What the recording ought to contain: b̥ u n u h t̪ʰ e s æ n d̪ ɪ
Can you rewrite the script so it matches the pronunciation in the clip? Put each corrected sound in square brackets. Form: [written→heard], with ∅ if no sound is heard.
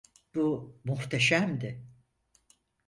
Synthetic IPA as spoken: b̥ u [n→m] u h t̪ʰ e [s→ʃ] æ [n→m] d̪ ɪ